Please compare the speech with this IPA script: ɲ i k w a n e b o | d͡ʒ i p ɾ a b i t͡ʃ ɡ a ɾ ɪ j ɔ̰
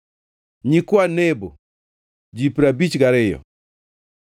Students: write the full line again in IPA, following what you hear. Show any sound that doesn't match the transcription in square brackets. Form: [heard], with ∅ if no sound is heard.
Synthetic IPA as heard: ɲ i k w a n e b o | d͡ʒ i p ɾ a b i t͡ʃ ɡ a ɾ ɪ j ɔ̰